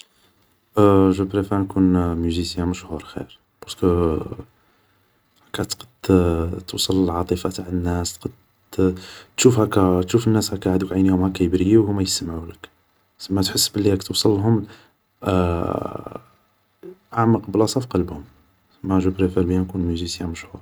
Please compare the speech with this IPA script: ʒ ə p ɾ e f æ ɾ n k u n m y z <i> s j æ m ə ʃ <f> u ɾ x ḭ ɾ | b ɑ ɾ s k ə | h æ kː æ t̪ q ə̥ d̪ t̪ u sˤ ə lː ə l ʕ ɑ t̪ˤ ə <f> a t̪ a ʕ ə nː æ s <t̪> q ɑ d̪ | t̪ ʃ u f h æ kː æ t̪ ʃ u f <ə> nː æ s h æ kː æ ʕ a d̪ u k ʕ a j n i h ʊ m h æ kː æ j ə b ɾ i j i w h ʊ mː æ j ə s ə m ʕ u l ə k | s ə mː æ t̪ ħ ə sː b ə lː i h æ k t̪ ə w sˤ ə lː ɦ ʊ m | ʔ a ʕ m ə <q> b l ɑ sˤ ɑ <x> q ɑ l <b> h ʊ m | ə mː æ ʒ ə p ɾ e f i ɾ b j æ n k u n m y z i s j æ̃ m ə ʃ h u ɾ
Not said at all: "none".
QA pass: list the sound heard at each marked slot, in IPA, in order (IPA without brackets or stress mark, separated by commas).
i, h, f, t̪, ə, q, f, b